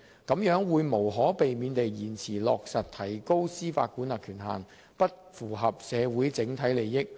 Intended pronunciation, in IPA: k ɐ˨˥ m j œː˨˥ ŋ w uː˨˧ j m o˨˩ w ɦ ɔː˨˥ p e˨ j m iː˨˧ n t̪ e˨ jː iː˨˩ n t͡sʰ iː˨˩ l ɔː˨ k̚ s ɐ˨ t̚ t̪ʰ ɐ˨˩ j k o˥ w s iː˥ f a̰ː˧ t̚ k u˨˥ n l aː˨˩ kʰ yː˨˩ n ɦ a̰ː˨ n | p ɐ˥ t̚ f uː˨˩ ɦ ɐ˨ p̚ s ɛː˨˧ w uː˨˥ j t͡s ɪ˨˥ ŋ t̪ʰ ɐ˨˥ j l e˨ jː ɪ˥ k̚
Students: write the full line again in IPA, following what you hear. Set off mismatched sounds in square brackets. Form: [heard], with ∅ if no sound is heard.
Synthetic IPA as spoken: k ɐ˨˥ m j œː˨˥ ŋ w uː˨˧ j m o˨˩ w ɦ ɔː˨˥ p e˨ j m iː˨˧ n t̪ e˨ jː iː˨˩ n t͡sʰ iː˨˩ l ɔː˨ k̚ s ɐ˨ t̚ t̪ʰ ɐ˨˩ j k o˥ w s iː˥ f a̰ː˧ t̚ k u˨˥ n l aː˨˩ kʰ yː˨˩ n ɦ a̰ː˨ n | p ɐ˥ t̚ f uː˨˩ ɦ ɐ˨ p̚ s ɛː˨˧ w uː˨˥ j t͡s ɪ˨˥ ŋ t̪ʰ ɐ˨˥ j l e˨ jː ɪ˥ k̚